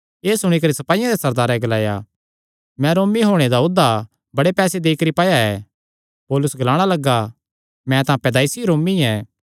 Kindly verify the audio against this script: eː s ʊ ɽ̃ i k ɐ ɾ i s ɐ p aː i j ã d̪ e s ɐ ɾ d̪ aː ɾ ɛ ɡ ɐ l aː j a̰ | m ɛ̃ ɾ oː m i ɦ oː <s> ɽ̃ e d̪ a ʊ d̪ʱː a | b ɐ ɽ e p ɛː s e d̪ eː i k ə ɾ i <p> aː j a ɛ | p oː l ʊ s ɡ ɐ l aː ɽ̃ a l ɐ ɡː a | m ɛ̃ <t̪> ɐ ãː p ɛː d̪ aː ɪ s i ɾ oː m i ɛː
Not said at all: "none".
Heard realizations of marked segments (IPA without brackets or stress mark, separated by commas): none, p, t̪